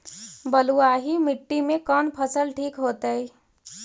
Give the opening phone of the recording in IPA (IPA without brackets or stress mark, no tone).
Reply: b